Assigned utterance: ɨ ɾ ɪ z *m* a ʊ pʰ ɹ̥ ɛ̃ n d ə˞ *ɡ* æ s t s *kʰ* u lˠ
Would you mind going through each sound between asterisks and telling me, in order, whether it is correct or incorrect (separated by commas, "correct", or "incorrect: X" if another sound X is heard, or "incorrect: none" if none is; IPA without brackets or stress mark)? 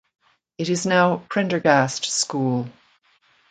incorrect: n, correct, incorrect: k